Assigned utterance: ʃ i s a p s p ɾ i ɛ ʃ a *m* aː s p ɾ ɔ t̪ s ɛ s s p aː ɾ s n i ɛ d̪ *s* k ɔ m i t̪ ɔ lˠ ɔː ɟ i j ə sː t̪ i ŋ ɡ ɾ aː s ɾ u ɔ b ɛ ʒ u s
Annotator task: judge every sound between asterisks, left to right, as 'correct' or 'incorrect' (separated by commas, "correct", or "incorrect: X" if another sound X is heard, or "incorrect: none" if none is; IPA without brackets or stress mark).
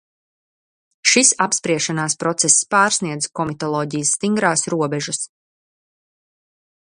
incorrect: n, incorrect: z